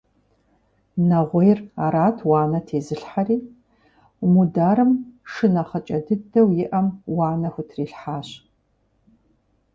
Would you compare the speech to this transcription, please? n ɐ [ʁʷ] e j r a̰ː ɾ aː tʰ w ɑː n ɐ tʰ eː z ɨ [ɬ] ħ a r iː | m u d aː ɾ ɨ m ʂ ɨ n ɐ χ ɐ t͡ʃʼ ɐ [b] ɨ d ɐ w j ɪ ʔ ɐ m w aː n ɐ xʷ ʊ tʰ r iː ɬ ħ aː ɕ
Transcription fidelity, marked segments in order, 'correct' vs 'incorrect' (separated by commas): correct, correct, incorrect